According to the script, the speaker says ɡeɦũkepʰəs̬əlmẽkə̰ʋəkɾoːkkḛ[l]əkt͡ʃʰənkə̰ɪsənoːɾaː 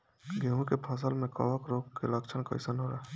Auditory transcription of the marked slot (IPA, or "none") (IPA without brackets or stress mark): l